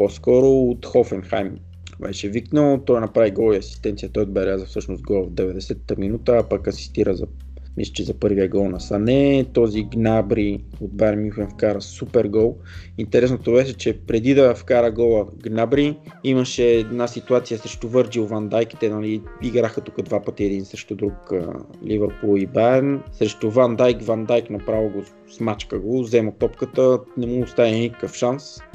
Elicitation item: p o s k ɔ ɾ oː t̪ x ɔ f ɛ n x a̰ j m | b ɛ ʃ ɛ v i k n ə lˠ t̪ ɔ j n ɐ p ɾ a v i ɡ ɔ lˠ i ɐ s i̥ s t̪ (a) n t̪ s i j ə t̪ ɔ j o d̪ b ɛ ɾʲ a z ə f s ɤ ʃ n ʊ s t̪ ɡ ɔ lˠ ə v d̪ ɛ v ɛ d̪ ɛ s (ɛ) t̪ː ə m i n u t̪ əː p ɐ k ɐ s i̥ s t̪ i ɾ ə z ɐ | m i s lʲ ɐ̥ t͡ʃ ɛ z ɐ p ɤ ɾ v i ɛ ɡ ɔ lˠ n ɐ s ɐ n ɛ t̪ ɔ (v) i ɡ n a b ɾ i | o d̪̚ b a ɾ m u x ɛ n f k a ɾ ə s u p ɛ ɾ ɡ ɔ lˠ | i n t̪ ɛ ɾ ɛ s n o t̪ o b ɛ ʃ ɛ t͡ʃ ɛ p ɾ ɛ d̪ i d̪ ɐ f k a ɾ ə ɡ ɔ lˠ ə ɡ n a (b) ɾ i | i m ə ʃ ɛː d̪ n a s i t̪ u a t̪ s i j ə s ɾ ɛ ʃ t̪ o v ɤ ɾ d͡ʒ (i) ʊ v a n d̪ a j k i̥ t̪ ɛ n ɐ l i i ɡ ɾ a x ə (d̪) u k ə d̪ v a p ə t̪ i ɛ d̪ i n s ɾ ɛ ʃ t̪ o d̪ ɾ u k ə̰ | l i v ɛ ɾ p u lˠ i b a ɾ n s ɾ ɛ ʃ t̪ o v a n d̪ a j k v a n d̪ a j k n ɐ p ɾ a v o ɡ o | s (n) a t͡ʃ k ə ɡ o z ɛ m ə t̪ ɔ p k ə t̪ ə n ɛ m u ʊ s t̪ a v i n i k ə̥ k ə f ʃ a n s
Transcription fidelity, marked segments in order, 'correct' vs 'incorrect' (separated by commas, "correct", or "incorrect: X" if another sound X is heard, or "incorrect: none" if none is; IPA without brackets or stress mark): incorrect: ɛ, correct, incorrect: z, correct, correct, incorrect: t̪, incorrect: m